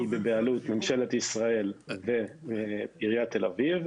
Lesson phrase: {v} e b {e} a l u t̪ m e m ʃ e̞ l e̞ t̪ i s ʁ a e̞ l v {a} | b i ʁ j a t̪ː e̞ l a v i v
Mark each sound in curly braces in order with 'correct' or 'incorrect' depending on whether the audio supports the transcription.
incorrect: b, correct, incorrect: e

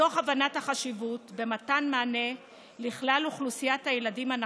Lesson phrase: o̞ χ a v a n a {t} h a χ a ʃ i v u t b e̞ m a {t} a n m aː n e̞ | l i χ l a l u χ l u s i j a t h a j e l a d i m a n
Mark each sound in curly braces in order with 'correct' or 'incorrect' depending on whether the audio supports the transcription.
correct, correct

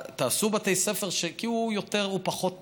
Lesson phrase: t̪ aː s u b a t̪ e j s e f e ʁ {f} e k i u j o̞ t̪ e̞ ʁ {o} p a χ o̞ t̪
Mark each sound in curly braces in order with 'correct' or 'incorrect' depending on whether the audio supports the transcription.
incorrect: ʃ, incorrect: u

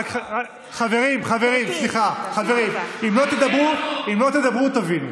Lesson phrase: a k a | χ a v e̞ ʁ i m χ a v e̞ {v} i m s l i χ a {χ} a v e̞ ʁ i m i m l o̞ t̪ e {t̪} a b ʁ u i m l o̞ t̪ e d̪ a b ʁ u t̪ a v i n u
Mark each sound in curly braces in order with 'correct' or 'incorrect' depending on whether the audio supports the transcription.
incorrect: ʁ, correct, incorrect: d̪

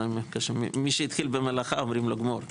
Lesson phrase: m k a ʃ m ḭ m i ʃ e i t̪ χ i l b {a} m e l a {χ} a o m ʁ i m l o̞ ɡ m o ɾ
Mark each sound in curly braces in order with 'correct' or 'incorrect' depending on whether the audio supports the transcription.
incorrect: e, correct

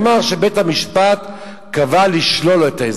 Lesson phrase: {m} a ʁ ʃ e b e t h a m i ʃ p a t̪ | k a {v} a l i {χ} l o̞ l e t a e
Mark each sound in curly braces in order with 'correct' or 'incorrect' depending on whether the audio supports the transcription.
correct, correct, incorrect: ʃ

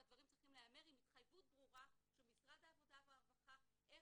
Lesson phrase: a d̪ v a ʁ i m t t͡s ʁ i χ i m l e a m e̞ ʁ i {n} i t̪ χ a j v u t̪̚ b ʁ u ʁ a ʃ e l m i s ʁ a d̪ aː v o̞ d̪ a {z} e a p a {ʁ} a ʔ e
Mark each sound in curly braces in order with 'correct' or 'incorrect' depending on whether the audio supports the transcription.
incorrect: m, incorrect: v, incorrect: χ

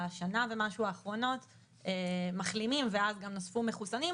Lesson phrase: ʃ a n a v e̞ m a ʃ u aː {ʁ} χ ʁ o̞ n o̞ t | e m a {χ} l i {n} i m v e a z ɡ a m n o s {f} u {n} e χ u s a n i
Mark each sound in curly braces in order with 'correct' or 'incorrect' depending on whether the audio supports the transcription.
incorrect: none, correct, incorrect: m, correct, incorrect: m

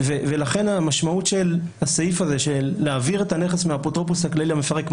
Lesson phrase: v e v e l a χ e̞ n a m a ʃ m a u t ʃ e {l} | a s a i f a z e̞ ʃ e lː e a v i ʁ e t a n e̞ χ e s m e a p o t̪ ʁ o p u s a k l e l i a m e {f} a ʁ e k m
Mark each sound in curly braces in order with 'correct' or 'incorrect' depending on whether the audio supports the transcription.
correct, correct

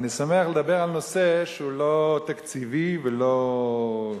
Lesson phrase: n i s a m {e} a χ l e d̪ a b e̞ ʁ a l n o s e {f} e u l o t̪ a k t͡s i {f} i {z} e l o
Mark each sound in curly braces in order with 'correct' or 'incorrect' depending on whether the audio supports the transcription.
correct, incorrect: ʃ, incorrect: v, incorrect: v

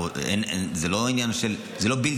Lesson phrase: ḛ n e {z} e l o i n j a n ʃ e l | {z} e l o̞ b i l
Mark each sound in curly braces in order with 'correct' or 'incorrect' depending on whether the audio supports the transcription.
correct, correct

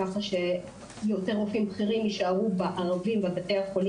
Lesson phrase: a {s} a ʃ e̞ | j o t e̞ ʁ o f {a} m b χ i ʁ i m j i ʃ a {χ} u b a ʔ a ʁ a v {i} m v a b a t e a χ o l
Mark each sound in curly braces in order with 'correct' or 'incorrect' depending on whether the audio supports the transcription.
incorrect: χ, incorrect: i, incorrect: ʁ, correct

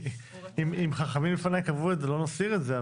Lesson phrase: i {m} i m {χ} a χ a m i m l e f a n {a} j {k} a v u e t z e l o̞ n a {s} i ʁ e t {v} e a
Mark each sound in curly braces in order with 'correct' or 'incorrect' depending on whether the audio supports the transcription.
correct, correct, correct, correct, correct, incorrect: z

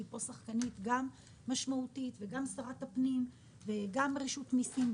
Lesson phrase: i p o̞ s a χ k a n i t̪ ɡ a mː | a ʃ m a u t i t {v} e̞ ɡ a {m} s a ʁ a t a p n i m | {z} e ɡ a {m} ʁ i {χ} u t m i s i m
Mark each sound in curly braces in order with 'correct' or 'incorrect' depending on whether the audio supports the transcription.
correct, correct, incorrect: v, correct, incorrect: ʃ

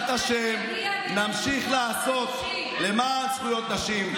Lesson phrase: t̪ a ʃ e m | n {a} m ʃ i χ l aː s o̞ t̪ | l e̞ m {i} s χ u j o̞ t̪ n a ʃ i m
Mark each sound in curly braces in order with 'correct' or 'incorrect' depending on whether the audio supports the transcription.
correct, incorrect: a

